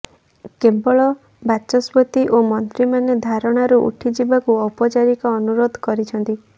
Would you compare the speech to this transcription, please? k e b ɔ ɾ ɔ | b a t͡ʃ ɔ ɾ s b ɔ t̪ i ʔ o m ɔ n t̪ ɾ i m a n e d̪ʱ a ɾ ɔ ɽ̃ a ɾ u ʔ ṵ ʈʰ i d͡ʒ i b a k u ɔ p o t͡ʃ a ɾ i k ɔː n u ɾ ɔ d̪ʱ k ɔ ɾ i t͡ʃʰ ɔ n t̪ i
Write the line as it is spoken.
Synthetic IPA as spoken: k e b ɔ ɭ ɔ | b a t͡ʃ ɔ s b ɔ t̪ i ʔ o m ɔ n t̪ ɾ i m a n e d̪ʱ a ɾ ɔ ɽ̃ a ɾ u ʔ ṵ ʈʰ i d͡ʒ i b a k u ɔ p ɔ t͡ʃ a ɾ i k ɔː n u ɾ o d̪ʱ k ɔ ɾ i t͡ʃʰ ɔ n t̪ i